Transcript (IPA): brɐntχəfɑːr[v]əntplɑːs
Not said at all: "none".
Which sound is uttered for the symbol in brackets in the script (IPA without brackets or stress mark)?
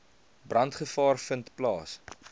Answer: f